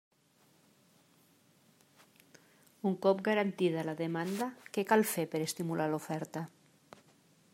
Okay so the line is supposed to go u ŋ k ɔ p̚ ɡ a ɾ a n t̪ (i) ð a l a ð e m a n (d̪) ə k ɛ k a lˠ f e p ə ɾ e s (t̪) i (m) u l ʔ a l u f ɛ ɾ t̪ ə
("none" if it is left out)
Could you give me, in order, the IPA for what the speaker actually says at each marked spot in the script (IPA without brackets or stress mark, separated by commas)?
i, d̪, t̪, m